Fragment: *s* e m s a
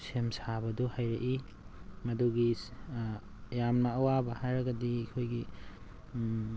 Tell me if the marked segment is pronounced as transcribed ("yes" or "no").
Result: yes